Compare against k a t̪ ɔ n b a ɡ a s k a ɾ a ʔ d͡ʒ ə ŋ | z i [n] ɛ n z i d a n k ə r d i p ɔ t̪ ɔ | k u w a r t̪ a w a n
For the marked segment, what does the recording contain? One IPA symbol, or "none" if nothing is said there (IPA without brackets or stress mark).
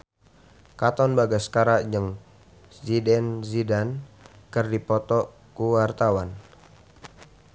d